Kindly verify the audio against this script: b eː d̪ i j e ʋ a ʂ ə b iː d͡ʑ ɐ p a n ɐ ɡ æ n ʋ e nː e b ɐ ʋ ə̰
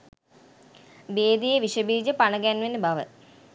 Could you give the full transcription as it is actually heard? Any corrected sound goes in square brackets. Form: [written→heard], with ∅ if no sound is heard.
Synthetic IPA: b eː d̪ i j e ʋ [a→i] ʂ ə b iː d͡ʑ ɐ p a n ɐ ɡ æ n ʋ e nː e b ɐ ʋ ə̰